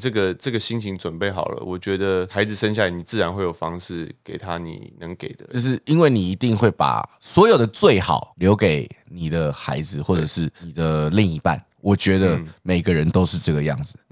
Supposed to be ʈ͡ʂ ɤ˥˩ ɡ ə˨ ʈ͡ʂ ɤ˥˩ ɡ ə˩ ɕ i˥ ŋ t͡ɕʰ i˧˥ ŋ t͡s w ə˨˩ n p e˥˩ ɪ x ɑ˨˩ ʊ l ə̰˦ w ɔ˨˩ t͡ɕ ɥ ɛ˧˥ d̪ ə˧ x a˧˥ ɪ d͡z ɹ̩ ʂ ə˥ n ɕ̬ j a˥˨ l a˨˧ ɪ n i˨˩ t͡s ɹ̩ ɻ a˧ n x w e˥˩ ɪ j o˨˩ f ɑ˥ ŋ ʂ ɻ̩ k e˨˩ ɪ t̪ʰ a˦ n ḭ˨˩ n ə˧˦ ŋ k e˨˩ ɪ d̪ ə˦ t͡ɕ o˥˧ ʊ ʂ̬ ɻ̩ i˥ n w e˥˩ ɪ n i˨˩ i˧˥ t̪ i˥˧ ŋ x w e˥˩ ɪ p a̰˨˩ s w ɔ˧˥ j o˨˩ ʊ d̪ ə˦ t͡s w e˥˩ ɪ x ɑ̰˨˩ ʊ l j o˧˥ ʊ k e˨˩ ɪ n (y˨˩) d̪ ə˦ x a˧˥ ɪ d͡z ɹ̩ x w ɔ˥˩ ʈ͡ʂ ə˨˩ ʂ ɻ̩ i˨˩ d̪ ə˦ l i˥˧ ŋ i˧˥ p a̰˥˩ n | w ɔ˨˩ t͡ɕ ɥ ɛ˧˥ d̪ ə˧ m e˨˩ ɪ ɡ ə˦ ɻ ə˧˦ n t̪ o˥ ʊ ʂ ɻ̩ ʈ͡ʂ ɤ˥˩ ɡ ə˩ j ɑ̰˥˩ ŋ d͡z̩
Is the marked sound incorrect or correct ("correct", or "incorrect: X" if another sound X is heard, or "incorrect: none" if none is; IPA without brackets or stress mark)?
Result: incorrect: i˨˩